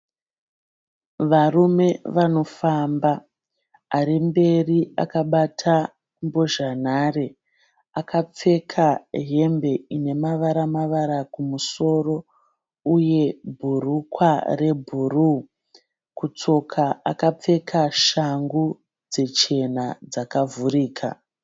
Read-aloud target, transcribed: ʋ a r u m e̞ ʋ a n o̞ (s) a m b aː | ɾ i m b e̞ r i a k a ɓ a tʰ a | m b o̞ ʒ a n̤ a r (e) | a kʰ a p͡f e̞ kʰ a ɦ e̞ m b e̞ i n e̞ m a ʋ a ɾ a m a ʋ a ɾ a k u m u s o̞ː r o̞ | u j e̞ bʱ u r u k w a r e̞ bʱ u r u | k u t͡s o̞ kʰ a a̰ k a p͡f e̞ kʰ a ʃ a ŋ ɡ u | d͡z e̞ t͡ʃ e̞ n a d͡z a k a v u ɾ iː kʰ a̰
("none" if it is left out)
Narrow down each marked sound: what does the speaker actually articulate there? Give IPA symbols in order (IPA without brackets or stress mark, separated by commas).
f, e